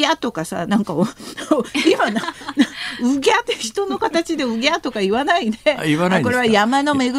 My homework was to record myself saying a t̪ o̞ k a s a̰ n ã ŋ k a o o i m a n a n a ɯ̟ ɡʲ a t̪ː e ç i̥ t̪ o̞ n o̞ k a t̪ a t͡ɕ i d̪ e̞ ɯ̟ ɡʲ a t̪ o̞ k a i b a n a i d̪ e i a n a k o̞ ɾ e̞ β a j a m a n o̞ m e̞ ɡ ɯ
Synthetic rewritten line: a t̪ o̞ k a s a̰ n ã ŋ k a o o i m a n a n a ɯ̟ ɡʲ a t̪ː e ç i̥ t̪ o̞ n o̞ k a t̪ a t͡ɕ i d̪ e̞ ɯ̟ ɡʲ a t̪ o̞ k a i β a n a i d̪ e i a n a k o̞ ɾ e̞ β a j a m a n o̞ m e̞ ɡ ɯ